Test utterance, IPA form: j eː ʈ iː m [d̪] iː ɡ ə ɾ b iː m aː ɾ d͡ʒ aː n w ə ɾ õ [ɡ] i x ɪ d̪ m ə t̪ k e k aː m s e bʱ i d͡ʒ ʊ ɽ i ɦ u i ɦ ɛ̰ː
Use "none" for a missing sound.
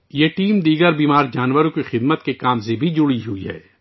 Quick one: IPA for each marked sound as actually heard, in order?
d̪, k

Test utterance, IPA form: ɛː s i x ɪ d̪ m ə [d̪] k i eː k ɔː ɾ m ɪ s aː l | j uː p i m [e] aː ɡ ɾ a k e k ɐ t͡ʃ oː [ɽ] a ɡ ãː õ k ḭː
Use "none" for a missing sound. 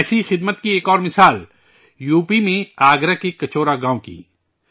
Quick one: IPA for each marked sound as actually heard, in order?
t̪, ẽ, ɾ

